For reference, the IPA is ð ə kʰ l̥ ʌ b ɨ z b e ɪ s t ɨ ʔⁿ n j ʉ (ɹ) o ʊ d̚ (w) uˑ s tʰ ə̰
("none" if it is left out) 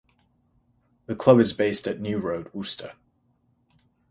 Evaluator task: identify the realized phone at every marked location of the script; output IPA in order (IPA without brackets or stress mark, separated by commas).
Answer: ɹ, w